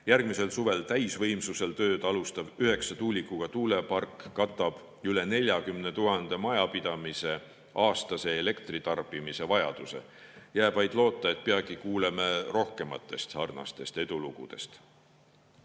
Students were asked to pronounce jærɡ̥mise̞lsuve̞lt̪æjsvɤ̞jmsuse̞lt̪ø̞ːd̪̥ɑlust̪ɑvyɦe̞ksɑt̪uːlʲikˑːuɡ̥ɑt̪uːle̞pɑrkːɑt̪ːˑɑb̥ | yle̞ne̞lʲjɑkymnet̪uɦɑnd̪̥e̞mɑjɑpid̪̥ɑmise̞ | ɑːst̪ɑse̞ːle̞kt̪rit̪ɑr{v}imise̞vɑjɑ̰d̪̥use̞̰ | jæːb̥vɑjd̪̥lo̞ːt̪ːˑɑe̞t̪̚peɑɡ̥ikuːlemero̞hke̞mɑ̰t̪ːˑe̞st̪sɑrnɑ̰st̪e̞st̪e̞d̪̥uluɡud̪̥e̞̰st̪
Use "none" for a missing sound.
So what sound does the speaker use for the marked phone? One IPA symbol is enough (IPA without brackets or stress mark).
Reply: b